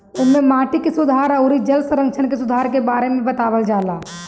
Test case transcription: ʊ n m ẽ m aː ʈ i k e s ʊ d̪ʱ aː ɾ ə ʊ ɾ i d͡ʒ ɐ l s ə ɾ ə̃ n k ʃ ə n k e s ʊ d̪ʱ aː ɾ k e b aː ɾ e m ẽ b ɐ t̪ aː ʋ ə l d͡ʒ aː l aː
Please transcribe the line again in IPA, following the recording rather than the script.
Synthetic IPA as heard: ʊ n m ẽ m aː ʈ i k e s ʊ d̪ʱ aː ɾ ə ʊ ɾ i d͡ʒ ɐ l s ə ɾ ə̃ ŋ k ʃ ə n k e s ʊ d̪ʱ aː ɾ k e b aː ɾ e m ẽ b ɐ t̪ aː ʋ ə l d͡ʒ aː l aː

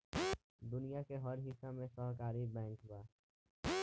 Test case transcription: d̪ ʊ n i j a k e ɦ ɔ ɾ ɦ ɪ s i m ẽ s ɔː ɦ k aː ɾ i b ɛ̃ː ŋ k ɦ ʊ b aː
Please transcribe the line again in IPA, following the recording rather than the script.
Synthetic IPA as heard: d̪ ʊ n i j a k e ɦ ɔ ɾ ɦ ɪ s a m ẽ s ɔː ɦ k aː ɾ i b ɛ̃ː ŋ k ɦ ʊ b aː

